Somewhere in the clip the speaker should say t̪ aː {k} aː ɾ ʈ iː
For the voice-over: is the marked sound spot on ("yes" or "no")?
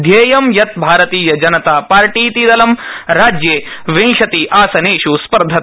no